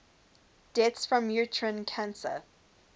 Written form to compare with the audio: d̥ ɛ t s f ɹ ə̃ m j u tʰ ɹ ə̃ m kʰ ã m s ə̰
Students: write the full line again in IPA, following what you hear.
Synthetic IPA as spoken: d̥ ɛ t s f ɹ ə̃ m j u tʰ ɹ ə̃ n kʰ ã n s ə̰